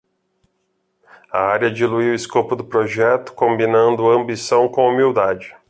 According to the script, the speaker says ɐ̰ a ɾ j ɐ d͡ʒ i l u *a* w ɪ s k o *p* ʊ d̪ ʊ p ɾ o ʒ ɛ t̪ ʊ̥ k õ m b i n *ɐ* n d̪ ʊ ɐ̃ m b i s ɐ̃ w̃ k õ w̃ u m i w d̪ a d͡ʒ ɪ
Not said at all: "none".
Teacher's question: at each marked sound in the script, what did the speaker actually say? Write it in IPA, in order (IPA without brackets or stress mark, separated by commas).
i, p, ɐ̃